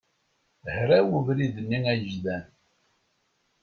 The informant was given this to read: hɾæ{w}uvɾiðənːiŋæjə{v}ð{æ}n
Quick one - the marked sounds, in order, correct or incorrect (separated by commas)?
correct, incorrect, correct